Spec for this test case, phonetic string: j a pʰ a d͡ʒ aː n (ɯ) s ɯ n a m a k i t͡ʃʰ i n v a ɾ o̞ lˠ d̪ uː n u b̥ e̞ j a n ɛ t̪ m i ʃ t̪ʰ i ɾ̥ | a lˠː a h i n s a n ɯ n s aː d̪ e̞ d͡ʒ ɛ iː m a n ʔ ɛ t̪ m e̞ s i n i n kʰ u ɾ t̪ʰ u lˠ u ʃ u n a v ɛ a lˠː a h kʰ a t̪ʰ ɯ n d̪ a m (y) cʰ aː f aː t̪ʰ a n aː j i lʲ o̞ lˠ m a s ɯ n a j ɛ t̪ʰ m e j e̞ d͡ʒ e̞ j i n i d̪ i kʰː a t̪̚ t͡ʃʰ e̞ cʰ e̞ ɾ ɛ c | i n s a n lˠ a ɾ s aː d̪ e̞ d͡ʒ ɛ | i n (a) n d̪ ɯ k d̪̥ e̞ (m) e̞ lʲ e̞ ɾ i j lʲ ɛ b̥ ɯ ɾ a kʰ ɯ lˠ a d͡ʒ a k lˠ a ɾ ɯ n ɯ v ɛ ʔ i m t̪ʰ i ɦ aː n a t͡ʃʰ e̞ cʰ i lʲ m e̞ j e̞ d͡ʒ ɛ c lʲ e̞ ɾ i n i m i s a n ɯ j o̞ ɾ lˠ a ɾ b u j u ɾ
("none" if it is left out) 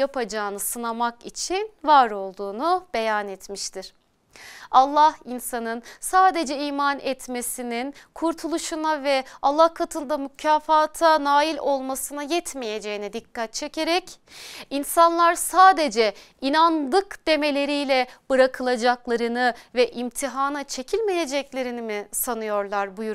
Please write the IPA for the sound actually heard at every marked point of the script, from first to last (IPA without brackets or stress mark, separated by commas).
ɯ, y, a, m